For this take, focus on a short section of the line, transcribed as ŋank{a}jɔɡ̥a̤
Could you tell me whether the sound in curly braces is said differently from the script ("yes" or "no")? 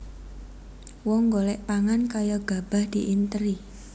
no